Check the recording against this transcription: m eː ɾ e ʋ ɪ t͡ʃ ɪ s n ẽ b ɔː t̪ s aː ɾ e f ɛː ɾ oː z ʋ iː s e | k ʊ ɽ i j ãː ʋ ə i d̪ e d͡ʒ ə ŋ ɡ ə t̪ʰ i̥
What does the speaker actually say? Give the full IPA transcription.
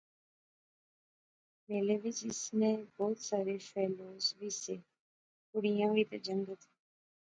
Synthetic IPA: m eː l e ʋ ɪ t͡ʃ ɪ s n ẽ b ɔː t̪ s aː ɾ e f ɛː l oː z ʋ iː s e | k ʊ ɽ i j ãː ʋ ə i t̪ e d͡ʒ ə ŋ ɡ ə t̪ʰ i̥